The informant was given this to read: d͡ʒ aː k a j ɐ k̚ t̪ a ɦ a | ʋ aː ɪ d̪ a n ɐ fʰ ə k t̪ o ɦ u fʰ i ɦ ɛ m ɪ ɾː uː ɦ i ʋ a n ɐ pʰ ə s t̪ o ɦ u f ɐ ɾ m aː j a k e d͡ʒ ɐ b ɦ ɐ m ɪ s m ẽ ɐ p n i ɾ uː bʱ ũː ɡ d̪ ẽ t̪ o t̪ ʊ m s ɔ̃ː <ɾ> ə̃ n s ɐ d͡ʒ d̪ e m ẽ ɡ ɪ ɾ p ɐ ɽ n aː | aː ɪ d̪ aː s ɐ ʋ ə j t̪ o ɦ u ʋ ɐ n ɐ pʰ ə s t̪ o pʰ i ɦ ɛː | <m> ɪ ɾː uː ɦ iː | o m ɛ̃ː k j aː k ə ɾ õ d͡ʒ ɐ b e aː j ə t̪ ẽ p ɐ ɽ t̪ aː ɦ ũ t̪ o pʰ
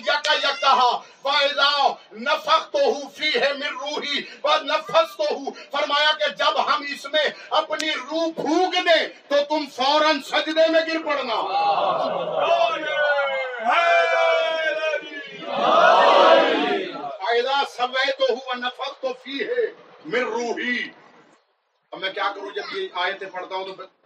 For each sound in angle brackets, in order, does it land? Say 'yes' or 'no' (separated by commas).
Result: yes, yes